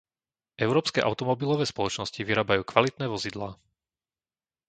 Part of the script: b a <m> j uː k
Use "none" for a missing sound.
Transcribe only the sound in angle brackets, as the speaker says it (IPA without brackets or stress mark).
none